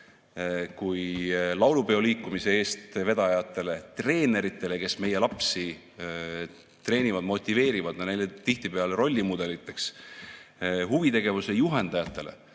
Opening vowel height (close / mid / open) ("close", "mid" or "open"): close